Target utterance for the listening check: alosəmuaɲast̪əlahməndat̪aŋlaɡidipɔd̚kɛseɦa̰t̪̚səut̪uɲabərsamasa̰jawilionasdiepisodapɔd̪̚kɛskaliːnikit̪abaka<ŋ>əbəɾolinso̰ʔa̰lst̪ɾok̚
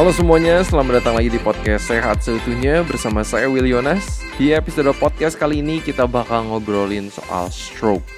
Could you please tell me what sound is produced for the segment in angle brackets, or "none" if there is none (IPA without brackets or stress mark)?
ŋ